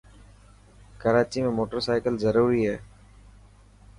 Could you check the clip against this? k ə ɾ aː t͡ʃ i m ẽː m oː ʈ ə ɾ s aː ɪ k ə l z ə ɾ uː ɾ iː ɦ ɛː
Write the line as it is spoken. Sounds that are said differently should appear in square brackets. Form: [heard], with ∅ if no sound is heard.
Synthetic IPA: k ə ɾ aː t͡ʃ i m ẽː m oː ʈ ə ɾ s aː ɪ k ə l z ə ɾ uː ɾ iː ɦ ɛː